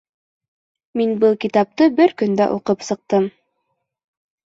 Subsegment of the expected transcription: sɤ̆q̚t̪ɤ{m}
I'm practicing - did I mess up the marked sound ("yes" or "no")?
no